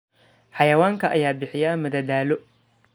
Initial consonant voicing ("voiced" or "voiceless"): voiceless